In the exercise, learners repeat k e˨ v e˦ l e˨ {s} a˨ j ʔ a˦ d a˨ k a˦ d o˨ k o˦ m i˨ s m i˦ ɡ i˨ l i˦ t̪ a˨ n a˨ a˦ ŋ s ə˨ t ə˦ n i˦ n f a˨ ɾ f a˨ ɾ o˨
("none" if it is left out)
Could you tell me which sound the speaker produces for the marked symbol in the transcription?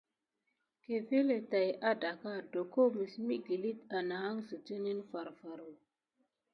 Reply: t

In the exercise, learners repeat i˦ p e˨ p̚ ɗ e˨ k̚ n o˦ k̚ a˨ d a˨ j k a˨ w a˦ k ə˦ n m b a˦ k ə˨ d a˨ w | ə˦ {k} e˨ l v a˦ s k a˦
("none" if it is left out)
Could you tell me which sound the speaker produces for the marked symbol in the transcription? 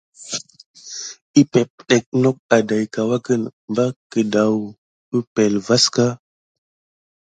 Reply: p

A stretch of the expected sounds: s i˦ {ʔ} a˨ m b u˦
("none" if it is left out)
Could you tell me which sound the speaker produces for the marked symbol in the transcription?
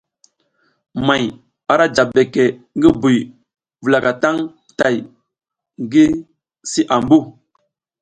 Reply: ʔ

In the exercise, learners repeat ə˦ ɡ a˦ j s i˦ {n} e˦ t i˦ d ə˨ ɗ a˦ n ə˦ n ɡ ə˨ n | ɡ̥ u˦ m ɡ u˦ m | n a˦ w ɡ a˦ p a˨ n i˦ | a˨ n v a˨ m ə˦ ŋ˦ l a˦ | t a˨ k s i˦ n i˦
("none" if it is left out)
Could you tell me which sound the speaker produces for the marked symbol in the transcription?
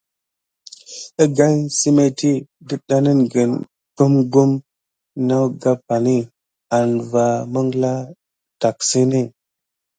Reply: m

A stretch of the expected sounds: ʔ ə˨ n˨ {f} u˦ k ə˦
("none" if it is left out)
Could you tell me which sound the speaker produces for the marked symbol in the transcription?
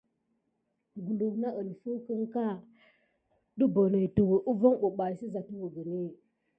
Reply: f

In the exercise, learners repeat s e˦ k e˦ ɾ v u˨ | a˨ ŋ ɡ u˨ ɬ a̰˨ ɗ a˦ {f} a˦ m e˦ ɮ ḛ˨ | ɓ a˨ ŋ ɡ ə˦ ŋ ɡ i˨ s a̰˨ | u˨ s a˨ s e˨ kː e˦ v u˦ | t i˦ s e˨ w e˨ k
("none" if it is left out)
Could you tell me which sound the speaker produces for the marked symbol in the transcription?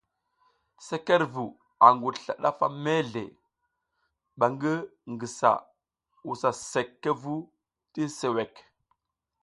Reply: f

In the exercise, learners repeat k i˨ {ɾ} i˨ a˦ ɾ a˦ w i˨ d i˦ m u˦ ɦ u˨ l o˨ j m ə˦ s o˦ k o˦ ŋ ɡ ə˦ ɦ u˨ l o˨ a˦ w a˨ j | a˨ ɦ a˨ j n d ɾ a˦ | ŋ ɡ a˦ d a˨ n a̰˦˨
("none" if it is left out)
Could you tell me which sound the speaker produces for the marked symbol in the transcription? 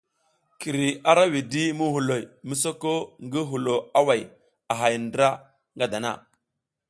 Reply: ɾ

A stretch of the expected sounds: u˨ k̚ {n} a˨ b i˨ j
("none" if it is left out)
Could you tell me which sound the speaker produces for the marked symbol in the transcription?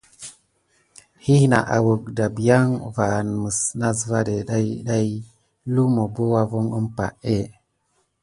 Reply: d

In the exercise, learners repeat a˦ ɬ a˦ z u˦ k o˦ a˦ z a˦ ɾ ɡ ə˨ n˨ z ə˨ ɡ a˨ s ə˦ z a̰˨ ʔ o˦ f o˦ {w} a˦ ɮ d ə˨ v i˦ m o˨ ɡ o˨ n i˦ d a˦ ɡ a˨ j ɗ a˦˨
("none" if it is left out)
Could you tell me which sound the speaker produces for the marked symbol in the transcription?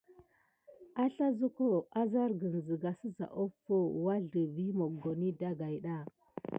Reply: w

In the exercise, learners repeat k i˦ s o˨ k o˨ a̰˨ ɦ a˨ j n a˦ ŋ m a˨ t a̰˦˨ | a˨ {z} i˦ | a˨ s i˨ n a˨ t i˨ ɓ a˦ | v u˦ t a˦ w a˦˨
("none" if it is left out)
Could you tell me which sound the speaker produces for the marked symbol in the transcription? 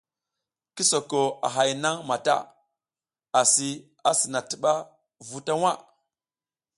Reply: s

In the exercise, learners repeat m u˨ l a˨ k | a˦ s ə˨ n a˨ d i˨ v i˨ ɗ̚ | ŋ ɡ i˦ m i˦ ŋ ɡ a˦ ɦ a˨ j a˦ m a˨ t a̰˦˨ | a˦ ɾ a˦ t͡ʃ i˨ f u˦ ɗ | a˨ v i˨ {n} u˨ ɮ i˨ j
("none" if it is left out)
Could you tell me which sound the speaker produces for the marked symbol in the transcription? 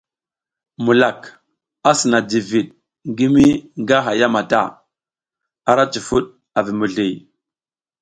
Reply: m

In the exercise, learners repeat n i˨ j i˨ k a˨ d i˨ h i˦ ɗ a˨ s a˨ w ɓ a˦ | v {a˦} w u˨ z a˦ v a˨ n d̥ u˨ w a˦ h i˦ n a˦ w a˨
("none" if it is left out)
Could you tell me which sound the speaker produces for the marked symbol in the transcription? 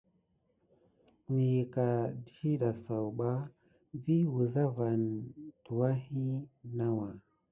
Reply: i˦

